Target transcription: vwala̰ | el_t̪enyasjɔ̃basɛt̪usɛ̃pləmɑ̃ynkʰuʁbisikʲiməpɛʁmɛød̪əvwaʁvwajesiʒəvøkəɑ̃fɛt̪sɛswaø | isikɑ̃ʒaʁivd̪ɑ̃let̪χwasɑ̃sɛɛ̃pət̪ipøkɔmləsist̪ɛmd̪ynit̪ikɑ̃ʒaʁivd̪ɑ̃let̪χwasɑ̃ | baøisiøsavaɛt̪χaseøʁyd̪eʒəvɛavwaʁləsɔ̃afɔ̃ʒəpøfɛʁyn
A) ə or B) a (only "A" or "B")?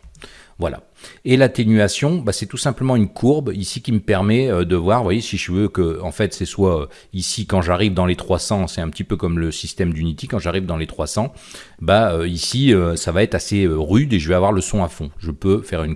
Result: B